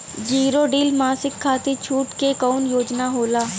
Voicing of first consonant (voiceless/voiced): voiced